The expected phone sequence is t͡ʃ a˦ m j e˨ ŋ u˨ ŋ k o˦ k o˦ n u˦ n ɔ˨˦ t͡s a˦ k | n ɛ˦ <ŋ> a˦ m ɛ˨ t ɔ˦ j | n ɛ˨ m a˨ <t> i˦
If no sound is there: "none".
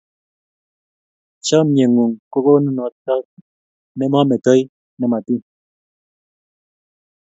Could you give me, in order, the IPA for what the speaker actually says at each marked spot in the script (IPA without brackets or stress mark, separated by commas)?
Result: m, t